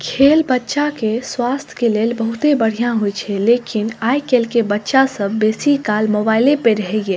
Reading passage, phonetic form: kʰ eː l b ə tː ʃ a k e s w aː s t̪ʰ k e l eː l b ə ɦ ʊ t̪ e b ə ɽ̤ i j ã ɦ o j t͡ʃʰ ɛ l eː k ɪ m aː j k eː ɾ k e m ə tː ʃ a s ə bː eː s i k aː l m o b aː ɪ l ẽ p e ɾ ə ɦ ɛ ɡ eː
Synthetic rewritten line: kʰ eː l b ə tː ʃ a k e s w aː s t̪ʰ k e l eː l b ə ɦ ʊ t̪ e b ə ɽ̤ i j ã ɦ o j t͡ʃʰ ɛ l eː k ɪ n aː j k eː l k e b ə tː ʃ a s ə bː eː s i k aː l m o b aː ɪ l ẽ p e ɾ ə ɦ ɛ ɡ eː